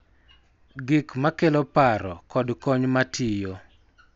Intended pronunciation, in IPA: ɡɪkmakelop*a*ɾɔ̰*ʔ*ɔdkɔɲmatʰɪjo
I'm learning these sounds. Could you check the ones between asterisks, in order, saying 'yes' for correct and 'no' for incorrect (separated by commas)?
yes, no